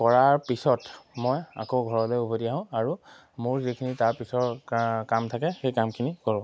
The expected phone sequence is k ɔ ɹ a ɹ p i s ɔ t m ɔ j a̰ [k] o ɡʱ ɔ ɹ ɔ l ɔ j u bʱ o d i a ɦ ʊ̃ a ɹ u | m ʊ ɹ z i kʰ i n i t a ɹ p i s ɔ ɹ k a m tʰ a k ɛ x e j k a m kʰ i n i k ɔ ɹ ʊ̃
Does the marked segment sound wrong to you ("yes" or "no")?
no